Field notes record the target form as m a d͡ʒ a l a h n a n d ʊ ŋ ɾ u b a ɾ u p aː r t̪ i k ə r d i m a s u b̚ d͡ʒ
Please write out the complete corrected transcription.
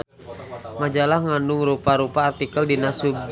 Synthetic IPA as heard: m a d͡ʒ a l a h ŋ a n d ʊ ŋ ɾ u p a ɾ u p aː r t̪ i k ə l d i n a s u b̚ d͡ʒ